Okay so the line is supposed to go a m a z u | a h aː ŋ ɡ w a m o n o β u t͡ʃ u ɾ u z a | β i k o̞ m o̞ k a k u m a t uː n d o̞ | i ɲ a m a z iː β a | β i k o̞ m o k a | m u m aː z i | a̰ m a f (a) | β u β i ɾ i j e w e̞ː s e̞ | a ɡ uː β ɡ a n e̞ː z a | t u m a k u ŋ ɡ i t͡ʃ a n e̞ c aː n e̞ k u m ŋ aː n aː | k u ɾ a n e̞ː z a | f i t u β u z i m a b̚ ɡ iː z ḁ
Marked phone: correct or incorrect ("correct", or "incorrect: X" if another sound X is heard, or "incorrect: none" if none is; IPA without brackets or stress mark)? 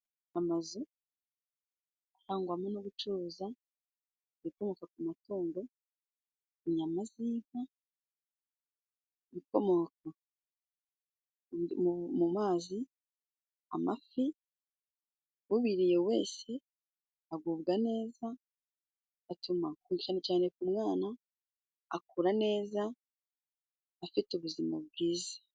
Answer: incorrect: i